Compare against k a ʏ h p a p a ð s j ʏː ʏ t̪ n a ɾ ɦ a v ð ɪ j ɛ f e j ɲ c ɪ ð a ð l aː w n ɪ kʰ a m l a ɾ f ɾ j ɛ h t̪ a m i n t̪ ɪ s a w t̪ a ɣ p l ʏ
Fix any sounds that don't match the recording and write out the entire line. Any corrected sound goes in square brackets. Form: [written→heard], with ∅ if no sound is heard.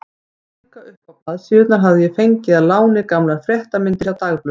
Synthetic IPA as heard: k a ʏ h p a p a ð s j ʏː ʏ t̪ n a ɾ ɦ a v ð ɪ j ɛ f e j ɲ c ɪ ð a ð l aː w n ɪ [kʰ→k] a m l a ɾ f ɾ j ɛ h t̪ a m [i→ɪ] n t̪ ɪ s a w t̪ a ɣ p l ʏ